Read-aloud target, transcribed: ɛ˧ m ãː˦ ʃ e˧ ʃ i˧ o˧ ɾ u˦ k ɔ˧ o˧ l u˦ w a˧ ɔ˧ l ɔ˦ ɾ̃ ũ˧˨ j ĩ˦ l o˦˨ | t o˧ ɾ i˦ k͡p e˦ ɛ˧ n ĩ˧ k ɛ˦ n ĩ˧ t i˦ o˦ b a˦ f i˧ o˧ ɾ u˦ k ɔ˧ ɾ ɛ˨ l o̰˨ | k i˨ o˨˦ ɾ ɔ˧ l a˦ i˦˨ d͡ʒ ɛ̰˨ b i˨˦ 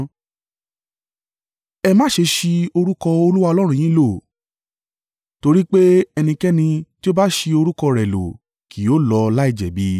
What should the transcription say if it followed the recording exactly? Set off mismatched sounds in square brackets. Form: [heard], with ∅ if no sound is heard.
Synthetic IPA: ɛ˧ m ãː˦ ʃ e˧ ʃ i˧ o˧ ɾ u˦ k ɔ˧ o˧ l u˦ w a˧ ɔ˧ l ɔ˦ ɾ̃ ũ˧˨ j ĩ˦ l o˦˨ | t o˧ ɾ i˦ k͡p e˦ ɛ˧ n ĩ˧ k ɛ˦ n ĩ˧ t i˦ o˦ b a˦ [ʃ] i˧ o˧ ɾ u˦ k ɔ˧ ɾ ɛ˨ l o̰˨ | k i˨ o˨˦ [l] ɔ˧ l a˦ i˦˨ d͡ʒ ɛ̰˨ b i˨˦